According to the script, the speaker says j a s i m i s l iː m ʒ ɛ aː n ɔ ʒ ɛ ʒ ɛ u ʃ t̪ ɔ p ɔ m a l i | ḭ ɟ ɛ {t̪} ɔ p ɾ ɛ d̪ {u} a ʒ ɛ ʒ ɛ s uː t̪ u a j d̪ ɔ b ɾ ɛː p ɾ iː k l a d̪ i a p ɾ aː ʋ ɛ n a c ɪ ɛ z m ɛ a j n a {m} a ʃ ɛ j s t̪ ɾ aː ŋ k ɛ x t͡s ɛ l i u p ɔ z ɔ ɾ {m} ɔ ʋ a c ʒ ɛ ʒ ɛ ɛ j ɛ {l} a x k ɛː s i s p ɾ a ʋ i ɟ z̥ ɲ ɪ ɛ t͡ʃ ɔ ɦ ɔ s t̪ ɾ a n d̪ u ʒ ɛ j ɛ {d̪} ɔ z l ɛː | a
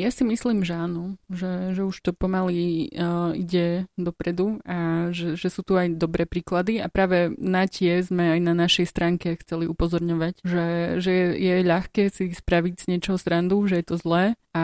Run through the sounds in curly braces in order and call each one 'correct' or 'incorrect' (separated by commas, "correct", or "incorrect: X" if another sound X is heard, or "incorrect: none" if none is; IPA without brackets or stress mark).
incorrect: d̪, correct, incorrect: n, incorrect: ɲ, incorrect: ʎ, incorrect: t̪